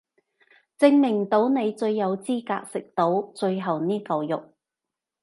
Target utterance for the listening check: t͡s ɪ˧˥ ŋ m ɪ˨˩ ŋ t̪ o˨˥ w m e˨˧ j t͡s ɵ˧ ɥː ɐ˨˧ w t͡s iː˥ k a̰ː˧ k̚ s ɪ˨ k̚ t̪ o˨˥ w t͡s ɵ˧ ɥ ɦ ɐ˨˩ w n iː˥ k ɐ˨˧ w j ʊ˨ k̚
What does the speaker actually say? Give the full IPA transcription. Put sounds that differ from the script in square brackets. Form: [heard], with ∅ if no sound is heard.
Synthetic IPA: t͡s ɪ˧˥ ŋ m ɪ˨˩ ŋ t̪ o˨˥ w [n] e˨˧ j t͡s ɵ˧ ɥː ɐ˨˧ w t͡s iː˥ k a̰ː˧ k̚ s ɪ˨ k̚ t̪ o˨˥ w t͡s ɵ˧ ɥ ɦ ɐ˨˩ w n iː˥ k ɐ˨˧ w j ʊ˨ k̚